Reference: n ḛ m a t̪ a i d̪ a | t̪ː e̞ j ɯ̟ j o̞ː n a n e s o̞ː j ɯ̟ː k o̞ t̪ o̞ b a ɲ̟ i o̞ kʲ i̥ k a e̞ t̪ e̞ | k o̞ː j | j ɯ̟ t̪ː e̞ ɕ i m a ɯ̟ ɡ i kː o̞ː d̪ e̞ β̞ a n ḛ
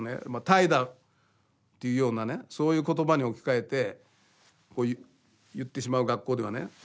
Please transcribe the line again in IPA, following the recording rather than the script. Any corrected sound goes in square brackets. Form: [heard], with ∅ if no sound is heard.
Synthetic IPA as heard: n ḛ m a t̪ a i d̪ a | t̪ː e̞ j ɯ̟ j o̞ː n a n e s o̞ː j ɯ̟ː k o̞ t̪ o̞ b a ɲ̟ i o̞ kʲ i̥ k a e̞ t̪ e̞ | k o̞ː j | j ɯ̟ t̪ː e̞ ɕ i m a ɯ̟ ɡ [a] kː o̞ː d̪ e̞ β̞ a n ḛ